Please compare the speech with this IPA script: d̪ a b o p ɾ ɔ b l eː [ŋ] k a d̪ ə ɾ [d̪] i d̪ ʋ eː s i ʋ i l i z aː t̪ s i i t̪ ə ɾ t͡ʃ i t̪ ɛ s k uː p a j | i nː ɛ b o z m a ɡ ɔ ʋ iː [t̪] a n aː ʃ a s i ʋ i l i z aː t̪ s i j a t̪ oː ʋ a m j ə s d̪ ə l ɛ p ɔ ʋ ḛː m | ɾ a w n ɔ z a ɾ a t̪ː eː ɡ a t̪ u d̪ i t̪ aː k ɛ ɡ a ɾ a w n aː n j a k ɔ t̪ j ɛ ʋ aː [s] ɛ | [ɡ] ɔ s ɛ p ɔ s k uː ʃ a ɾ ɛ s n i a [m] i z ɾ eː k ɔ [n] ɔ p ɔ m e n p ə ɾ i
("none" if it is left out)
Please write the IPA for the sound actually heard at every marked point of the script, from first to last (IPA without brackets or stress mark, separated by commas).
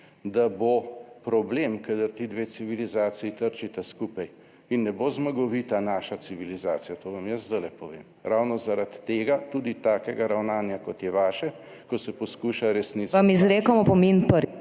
m, t̪, t̪, ʃ, k, m, m